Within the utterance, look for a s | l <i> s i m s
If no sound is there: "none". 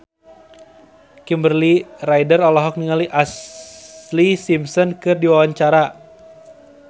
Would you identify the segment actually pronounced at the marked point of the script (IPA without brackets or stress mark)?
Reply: i